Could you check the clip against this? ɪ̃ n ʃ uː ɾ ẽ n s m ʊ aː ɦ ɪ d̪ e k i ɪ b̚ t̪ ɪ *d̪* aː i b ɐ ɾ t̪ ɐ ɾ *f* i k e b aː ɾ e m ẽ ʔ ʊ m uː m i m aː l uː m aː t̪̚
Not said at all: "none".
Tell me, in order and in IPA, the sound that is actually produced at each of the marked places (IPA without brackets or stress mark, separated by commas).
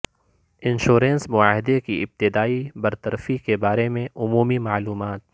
d̪, f